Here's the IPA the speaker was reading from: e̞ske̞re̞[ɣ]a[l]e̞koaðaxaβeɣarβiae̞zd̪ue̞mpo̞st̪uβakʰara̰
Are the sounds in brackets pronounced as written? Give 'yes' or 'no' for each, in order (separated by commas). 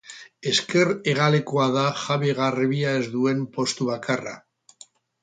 yes, yes